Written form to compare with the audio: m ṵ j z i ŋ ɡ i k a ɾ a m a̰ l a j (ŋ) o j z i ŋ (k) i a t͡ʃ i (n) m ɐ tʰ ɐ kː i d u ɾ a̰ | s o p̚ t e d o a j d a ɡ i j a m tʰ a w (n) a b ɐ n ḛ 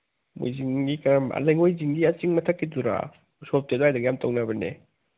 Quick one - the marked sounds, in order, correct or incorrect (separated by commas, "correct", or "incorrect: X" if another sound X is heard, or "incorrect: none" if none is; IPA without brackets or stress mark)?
correct, incorrect: ɡ, incorrect: ŋ, correct